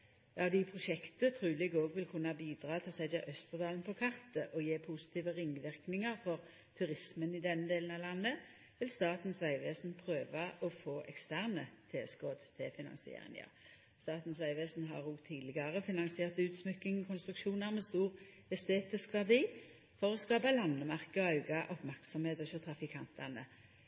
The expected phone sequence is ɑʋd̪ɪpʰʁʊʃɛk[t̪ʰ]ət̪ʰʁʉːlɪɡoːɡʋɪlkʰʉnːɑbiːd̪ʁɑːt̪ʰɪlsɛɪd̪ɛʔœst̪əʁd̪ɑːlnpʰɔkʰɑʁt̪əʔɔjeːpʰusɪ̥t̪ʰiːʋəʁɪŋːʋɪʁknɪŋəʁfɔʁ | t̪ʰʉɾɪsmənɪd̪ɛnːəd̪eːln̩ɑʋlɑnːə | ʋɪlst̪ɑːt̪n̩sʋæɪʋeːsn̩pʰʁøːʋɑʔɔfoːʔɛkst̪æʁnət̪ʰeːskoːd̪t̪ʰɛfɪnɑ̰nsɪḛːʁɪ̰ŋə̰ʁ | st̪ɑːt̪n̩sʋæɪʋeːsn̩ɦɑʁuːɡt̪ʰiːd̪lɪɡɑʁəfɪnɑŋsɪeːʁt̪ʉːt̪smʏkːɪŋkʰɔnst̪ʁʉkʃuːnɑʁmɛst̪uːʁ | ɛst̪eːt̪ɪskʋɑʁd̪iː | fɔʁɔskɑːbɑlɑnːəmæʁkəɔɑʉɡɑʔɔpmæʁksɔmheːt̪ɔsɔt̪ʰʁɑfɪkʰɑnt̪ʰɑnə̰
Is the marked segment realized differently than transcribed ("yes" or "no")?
yes